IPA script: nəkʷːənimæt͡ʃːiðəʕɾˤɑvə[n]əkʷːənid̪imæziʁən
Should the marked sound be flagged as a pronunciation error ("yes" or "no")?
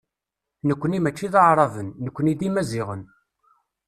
yes